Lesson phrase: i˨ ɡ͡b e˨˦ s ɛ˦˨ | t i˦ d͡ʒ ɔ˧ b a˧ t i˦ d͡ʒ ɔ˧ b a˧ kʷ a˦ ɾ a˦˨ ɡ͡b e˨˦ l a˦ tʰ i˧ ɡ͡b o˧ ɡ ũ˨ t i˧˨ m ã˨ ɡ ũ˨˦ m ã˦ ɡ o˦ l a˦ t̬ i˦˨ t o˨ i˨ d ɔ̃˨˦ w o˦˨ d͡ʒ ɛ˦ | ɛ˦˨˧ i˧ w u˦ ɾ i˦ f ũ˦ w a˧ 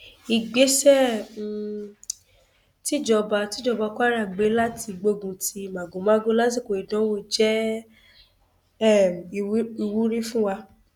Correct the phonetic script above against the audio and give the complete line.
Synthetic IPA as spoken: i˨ ɡ͡b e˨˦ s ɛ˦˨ | t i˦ d͡ʒ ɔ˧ b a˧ t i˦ d͡ʒ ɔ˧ b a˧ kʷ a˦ ɾ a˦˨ ɡ͡b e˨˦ l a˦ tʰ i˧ ɡ͡b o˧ ɡ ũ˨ t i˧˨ m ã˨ ɡ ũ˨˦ m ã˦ ɡ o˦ l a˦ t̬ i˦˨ k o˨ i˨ d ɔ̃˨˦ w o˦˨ d͡ʒ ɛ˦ | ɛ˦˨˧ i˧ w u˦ ɾ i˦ f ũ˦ w a˧

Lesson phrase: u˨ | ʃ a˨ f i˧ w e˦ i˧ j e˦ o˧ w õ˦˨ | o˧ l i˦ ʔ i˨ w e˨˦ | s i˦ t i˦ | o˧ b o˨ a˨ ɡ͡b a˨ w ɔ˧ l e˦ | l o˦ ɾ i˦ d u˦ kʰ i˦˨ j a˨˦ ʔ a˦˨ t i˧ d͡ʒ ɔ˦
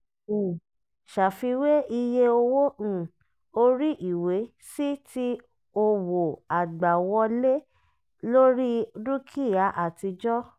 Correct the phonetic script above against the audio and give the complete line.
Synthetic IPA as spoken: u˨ | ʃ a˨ f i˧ w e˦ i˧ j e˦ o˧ w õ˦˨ | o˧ ɾ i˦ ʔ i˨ w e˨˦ | s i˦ t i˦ | o˧ w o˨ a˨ ɡ͡b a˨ w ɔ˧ l e˦ | l o˦ ɾ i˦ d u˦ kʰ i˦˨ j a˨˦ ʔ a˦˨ t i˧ d͡ʒ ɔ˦

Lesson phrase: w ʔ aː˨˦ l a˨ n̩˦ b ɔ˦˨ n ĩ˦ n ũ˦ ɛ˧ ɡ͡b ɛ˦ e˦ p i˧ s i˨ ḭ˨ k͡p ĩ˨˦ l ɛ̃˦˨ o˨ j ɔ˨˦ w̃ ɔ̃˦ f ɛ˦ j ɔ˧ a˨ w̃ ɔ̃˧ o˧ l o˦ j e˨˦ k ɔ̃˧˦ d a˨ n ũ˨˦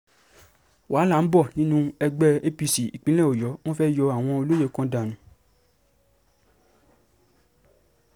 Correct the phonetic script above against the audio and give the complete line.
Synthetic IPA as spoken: w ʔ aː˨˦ l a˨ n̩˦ b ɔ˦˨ n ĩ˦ n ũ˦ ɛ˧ ɡ͡b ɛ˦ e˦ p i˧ s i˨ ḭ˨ k͡p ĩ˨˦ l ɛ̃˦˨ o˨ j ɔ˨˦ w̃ ɔ̃˦ f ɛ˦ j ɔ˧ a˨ w̃ ɔ̃˧ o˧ l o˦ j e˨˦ k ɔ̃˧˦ d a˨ n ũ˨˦

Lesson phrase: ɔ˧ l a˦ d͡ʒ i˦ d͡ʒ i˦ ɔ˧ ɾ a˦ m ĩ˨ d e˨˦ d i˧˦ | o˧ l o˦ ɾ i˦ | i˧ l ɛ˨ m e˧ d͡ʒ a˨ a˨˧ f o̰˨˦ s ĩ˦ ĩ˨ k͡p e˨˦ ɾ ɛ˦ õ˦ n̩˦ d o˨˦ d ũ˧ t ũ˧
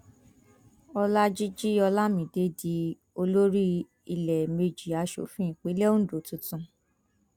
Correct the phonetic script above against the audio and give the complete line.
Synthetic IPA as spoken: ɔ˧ l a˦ d͡ʒ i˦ d͡ʒ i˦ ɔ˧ l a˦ m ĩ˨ d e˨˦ d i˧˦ | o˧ l o˦ ɾ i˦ | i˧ l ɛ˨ m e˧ d͡ʒ i˨ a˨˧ ʃ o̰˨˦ f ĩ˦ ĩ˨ k͡p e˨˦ l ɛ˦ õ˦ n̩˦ d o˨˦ t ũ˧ t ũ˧

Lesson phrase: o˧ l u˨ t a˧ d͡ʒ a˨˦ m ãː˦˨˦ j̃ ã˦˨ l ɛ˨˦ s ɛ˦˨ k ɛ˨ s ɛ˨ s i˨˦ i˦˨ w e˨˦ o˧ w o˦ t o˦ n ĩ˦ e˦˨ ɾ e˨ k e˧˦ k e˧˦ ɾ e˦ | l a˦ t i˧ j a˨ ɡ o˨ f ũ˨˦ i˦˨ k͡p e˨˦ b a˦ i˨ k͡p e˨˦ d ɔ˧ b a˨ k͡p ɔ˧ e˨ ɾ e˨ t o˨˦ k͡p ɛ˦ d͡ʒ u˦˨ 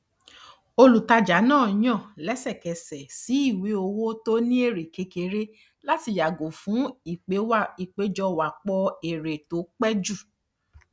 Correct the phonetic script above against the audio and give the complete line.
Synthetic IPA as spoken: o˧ l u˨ t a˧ d͡ʒ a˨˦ n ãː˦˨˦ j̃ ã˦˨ l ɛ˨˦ s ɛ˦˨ k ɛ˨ s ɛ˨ s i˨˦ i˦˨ w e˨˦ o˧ w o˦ t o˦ n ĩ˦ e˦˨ ɾ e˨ k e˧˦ k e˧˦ ɾ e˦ | l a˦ t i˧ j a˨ ɡ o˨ f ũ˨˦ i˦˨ k͡p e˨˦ w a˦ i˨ k͡p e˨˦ d͡ʒ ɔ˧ w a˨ k͡p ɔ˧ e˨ ɾ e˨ t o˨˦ k͡p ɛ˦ d͡ʒ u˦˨

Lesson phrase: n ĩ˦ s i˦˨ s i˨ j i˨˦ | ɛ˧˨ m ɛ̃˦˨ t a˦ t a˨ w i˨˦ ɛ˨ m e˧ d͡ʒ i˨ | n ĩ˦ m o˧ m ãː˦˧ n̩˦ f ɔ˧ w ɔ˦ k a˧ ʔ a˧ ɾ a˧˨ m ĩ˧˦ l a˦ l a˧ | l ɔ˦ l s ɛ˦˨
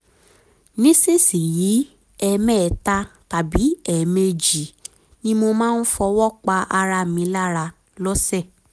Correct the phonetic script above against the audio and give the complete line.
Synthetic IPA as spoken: n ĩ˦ s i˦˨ s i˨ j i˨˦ | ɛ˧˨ m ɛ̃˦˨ t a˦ t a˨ b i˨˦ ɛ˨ m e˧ d͡ʒ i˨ | n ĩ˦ m o˧ m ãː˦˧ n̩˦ f ɔ˧ w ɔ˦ k͡p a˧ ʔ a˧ ɾ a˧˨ m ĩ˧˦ l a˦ ɾ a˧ | l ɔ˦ s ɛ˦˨

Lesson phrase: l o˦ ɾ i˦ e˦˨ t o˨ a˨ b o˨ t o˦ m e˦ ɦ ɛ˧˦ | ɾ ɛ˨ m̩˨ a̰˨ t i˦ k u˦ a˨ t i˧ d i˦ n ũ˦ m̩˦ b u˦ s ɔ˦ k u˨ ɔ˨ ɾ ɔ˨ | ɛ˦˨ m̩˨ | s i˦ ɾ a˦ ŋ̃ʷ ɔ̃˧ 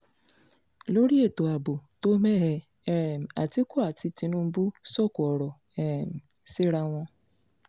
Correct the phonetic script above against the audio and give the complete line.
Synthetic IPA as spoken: l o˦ ɾ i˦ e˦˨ t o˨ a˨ b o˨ t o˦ m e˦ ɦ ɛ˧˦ | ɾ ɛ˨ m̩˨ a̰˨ t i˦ k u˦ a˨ t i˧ t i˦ n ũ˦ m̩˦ b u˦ s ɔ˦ k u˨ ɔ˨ ɾ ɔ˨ | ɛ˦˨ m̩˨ | s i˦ ɾ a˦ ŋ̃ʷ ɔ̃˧

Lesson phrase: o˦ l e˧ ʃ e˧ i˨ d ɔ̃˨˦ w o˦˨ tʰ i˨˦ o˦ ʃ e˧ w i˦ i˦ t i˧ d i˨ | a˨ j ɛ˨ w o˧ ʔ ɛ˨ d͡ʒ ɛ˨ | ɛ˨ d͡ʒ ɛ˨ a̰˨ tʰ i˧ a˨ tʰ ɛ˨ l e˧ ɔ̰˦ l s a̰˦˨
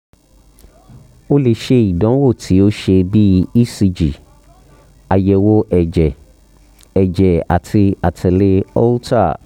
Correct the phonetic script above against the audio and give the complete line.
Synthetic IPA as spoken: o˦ l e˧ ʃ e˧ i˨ d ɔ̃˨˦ w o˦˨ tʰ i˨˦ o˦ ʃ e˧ b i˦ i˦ s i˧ d͡ʒ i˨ | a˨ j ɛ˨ w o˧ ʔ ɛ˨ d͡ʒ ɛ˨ | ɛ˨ d͡ʒ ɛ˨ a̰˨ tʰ i˧ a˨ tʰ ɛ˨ l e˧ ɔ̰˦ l t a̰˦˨

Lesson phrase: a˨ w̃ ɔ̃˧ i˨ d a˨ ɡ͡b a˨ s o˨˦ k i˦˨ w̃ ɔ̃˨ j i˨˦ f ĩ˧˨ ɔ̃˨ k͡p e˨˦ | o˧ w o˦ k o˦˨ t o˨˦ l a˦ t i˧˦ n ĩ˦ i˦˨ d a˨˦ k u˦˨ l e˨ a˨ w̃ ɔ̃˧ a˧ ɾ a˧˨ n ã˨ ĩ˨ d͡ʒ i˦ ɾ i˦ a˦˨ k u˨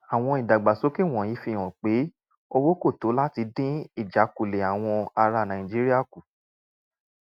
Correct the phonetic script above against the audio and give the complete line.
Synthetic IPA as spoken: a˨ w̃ ɔ̃˧ i˨ d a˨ ɡ͡b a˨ s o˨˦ k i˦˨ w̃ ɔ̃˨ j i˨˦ f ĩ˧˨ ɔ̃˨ k͡p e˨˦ | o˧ w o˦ k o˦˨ t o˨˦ l a˦ t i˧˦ d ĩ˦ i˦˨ d͡ʒ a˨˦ k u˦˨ l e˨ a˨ w̃ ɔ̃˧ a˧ ɾ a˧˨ n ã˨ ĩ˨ d͡ʒ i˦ ɾ i˦ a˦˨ k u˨

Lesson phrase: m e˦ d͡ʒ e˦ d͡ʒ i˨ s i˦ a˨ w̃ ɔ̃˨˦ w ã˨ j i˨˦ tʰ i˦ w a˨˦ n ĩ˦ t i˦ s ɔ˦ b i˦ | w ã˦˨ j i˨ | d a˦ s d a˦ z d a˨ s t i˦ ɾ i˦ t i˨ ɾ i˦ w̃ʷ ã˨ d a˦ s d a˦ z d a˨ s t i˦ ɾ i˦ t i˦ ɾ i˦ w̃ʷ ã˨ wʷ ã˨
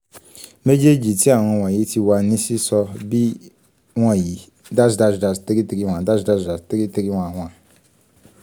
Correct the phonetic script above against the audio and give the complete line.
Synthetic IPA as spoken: m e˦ d͡ʒ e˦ d͡ʒ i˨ t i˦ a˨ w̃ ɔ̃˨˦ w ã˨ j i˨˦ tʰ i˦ w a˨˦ n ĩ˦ s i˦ s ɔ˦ b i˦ | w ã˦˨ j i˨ | d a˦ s d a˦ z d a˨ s t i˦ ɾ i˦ t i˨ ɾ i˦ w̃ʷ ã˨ d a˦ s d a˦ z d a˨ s t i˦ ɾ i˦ t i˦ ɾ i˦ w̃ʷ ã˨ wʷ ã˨

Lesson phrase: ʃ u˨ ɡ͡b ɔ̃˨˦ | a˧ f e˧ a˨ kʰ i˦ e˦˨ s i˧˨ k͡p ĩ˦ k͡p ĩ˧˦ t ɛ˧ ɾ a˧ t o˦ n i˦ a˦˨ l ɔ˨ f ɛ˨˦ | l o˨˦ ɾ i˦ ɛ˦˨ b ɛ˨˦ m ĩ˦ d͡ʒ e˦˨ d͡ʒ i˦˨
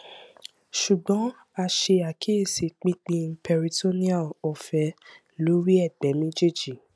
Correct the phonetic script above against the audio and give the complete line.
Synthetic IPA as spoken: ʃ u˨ ɡ͡b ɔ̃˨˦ | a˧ ʃ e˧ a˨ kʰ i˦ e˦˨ s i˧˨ k͡p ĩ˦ k͡p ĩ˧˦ p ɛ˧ ɾ i˧ t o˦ n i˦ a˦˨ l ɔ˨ f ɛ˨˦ | l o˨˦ ɾ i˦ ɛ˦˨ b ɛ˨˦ m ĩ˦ d͡ʒ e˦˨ d͡ʒ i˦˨

